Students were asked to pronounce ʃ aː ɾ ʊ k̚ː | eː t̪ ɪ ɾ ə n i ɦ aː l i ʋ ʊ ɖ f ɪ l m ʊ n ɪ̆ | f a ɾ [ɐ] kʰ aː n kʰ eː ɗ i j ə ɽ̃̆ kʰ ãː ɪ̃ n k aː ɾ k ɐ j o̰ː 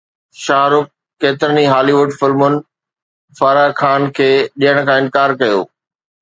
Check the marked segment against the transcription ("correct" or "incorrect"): incorrect